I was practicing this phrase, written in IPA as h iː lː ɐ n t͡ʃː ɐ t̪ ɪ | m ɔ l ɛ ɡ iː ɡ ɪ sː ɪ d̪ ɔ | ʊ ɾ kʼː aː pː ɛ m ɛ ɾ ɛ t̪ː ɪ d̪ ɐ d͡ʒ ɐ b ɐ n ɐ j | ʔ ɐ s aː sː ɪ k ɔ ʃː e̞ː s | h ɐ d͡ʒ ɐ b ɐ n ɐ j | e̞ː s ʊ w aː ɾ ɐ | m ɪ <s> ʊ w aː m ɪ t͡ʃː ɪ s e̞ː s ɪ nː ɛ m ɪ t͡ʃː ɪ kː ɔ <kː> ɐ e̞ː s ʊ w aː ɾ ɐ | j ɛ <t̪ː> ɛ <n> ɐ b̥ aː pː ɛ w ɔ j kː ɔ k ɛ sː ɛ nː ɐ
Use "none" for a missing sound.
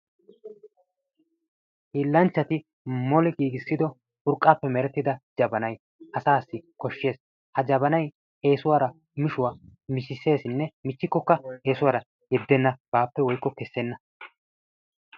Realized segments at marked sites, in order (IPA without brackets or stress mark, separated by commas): ʃ, kː, d̪ː, nː